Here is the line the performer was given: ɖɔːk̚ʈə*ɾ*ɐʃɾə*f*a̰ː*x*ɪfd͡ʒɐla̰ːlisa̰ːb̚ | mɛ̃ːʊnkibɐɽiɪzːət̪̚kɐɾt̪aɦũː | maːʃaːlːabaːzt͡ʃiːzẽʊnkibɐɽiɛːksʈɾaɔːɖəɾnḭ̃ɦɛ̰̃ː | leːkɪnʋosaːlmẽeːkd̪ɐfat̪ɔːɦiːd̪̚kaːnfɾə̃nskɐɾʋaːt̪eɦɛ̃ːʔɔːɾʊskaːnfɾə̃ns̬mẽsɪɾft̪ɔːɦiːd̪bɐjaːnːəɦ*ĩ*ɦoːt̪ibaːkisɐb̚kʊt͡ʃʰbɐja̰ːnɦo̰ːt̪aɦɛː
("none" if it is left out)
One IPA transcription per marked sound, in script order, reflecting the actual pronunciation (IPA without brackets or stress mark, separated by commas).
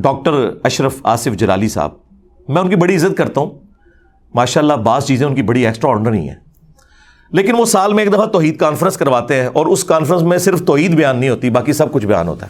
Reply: ɾ, f, s, ĩ